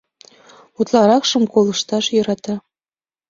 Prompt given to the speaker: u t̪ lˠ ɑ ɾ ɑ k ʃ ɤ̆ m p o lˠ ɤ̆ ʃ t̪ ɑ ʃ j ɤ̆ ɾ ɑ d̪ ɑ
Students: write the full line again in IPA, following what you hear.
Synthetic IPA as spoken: u t̪ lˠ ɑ ɾ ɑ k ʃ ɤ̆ m k o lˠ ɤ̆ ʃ t̪ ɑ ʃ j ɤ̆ ɾ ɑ t̪ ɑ